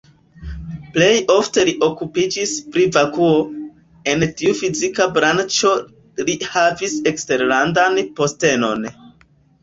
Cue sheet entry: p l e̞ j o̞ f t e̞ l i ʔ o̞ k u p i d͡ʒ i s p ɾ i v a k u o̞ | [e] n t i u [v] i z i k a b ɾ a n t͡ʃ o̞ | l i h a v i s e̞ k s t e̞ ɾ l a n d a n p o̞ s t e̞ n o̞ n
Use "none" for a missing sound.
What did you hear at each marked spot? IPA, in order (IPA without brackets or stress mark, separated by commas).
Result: e, f